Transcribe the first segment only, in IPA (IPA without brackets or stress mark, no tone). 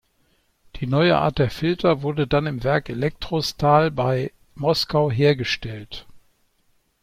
d̥